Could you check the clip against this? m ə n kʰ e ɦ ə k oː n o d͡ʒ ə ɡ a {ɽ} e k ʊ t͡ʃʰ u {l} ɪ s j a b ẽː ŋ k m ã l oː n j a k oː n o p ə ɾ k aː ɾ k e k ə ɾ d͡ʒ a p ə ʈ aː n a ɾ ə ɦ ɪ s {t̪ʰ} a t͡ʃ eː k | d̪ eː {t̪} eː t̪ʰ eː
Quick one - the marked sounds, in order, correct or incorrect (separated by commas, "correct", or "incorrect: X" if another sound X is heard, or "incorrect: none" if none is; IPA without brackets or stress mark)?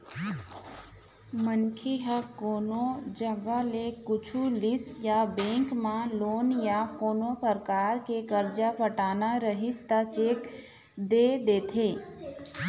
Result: incorrect: l, correct, incorrect: t̪, incorrect: d̪